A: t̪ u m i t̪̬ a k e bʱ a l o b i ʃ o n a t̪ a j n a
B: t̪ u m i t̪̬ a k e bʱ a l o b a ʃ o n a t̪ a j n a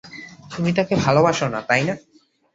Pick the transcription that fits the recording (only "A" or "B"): B